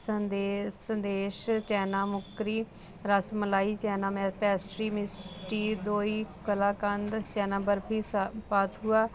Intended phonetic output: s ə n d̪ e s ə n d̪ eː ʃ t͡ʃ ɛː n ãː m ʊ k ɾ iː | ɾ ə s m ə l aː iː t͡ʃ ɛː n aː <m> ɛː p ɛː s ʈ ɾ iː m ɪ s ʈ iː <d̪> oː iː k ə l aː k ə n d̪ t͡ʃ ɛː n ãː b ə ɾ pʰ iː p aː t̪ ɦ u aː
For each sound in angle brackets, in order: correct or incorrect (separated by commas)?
correct, correct